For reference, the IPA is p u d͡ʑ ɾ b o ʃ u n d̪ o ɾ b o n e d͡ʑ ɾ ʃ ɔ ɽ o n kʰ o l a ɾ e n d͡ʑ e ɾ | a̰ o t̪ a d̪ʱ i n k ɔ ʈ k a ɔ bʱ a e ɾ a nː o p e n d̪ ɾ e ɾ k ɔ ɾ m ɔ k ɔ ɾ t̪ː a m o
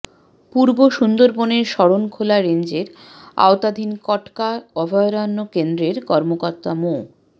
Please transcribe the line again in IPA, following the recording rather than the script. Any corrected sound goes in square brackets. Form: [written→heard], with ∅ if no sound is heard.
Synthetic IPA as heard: p u [d͡ʑ→∅] ɾ b o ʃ u n d̪ o ɾ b o n e [d͡ʑ→∅] ɾ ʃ ɔ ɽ o n kʰ o l a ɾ e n d͡ʑ e ɾ | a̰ o t̪ a d̪ʱ i n k ɔ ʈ k a ɔ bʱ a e ɾ a nː o [p→k] e n d̪ ɾ e ɾ k ɔ ɾ m [ɔ→o] k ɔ ɾ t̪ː a m o